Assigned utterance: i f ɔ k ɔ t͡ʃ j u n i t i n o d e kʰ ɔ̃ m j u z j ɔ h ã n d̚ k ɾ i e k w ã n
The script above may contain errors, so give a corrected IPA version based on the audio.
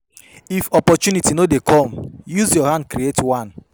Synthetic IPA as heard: i f ɔ p ɔ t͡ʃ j u n i t i n o d e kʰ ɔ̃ m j u z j ɔ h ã n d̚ k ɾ i e t w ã n